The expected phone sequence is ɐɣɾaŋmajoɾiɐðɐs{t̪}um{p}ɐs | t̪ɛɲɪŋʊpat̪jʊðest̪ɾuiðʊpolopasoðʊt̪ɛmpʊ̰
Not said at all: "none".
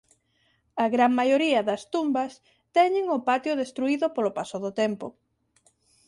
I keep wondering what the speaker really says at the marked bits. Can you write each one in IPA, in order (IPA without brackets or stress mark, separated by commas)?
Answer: t̪, b